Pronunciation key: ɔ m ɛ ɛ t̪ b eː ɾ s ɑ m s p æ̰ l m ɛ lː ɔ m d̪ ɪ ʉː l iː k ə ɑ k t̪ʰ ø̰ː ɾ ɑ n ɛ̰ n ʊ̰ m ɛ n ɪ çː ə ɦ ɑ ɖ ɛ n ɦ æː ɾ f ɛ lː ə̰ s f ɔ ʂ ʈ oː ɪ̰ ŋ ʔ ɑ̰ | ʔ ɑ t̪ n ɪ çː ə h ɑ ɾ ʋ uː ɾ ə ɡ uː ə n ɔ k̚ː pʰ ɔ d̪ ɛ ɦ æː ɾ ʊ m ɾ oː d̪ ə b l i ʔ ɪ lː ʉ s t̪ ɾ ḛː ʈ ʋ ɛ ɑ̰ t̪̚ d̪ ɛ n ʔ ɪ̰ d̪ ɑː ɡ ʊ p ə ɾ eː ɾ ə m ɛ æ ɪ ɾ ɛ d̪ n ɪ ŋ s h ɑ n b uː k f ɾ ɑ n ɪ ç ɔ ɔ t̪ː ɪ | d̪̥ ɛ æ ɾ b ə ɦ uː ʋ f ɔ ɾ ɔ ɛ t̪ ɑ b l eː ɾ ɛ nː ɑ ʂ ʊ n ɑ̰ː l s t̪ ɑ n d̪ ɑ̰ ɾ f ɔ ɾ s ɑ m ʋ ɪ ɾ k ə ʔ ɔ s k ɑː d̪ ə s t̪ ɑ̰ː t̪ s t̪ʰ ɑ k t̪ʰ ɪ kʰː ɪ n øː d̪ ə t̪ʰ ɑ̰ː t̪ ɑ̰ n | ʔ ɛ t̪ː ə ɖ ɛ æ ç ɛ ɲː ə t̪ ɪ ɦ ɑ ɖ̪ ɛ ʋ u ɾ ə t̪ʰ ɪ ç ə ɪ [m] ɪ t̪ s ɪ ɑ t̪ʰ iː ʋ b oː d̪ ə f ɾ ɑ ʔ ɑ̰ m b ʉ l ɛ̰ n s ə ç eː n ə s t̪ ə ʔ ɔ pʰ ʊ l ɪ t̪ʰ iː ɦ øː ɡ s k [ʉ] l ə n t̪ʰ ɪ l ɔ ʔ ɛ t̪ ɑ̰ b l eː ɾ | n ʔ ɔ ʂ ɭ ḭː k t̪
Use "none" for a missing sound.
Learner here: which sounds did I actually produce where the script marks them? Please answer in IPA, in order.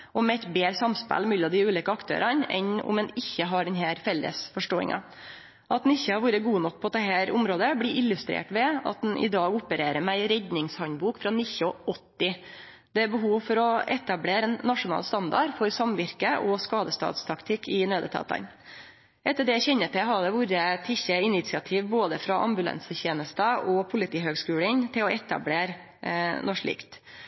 n, ʉː

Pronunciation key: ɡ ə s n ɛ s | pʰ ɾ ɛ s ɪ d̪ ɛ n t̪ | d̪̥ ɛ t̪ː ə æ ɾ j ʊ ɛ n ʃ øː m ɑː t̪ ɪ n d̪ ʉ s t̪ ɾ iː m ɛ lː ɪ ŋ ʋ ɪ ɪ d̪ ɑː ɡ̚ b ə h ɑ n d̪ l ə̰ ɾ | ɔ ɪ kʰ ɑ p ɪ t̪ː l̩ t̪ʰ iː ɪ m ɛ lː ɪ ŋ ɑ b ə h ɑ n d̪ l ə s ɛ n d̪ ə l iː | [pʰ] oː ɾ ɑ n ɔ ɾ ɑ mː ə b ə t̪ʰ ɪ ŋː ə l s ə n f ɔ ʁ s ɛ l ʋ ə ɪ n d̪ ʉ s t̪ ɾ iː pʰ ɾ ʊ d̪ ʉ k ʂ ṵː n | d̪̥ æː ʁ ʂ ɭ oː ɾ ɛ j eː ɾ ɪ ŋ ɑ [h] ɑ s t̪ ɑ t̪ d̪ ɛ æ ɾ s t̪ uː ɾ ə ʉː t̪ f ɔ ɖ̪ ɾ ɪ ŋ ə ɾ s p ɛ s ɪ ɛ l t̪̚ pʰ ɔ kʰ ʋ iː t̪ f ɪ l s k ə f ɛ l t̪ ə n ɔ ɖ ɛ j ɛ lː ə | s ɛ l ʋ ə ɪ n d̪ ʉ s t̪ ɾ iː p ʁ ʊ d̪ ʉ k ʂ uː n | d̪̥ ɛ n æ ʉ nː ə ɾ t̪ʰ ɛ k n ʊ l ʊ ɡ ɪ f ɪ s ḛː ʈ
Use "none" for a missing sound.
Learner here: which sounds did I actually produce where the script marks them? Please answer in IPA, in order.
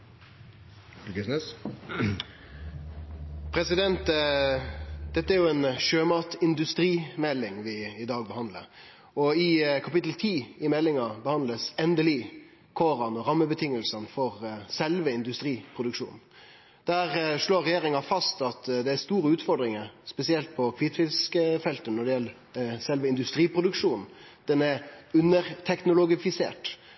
kʰ, f

